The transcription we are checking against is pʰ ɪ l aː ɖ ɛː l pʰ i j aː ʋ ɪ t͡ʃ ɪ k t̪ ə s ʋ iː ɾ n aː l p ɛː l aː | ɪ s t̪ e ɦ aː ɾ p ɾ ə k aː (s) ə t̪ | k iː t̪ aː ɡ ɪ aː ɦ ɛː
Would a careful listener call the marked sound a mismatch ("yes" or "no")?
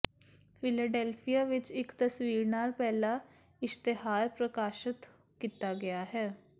yes